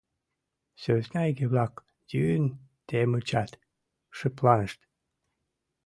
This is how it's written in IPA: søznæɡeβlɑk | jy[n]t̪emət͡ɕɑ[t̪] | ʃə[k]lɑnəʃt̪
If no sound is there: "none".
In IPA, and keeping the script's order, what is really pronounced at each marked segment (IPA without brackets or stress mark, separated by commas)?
n, t̪, p